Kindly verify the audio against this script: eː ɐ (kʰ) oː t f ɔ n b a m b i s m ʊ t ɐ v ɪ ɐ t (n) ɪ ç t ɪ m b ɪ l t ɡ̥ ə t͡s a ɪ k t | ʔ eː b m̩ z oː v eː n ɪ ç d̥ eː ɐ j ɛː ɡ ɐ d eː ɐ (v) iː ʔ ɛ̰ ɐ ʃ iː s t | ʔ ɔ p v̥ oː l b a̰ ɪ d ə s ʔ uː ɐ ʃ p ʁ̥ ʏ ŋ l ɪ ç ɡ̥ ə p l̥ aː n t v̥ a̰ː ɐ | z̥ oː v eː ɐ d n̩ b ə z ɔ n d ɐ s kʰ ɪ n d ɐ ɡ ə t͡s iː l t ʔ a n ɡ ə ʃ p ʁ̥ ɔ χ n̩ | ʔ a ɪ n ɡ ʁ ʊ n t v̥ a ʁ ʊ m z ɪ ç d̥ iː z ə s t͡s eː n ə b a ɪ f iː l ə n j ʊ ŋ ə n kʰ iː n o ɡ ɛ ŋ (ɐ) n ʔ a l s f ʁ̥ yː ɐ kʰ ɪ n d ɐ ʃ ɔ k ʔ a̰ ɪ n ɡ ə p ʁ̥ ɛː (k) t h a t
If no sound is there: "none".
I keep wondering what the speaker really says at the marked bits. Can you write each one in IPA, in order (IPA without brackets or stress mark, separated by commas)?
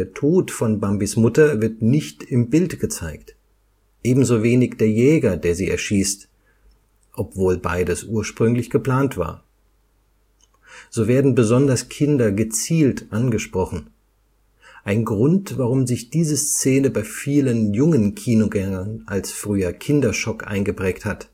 tʰ, n, z, ɐ, k